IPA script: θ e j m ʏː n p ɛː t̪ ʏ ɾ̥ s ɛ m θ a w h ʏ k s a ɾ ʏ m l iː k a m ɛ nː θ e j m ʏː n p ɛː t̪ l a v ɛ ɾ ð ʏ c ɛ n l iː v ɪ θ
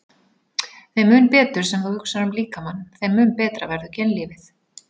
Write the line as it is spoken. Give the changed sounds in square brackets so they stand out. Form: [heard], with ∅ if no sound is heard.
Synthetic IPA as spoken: θ e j m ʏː n p ɛː t̪ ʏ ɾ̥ s ɛ m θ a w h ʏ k s a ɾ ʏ m l iː k a m [a] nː θ e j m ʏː n p ɛː t̪ [ɾ] a v ɛ ɾ ð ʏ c ɛ n l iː v ɪ θ